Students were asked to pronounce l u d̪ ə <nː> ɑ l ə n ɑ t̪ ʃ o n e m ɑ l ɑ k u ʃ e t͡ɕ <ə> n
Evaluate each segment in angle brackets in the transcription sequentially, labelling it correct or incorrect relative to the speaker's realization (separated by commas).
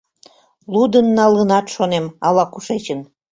correct, correct